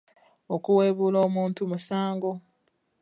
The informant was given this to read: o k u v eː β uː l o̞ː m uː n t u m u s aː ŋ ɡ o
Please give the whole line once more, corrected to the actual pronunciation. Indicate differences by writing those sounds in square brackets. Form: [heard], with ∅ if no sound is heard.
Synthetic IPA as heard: o k u [w] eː β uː l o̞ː m uː n t u m u s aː ŋ ɡ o